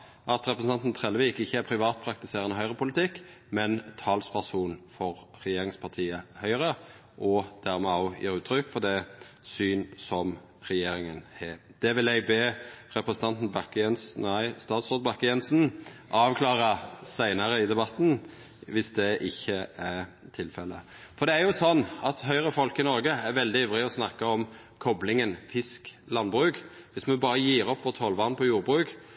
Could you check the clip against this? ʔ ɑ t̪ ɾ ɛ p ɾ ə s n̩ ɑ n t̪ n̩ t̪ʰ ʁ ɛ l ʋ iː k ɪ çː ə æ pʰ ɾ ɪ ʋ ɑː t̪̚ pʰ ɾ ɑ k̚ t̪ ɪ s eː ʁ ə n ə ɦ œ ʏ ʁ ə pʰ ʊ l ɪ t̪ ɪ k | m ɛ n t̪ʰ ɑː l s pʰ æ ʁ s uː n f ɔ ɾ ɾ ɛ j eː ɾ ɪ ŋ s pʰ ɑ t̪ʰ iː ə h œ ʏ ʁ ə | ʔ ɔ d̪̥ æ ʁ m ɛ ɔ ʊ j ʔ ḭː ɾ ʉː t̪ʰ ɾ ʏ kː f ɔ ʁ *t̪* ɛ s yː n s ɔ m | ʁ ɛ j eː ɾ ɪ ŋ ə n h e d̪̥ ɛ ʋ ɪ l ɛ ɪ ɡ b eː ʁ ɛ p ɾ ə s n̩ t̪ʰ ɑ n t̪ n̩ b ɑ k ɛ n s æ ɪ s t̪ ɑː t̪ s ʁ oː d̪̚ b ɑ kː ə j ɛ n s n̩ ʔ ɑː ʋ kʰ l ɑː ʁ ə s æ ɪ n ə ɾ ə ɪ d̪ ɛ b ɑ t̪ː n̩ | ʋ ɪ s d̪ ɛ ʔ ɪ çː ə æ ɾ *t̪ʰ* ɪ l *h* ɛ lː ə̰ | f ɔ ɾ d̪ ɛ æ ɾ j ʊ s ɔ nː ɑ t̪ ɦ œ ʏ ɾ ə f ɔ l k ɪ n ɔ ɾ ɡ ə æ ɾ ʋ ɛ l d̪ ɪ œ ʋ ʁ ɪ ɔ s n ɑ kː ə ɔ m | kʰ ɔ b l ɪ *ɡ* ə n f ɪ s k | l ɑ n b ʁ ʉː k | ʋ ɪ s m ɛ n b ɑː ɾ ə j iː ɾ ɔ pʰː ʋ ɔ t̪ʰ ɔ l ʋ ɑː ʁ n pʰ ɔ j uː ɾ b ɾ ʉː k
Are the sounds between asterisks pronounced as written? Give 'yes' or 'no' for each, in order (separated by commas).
no, yes, no, no